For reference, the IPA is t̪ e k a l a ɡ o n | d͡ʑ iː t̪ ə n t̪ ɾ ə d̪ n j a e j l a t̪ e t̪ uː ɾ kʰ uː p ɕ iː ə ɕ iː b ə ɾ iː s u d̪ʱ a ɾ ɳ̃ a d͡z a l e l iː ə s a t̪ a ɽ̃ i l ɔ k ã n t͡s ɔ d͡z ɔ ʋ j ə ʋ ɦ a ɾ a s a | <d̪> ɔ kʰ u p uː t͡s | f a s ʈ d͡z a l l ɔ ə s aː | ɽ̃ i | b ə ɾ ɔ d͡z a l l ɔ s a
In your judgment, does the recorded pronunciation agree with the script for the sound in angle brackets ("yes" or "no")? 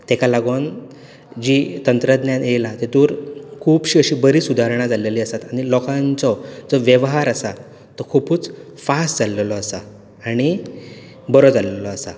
no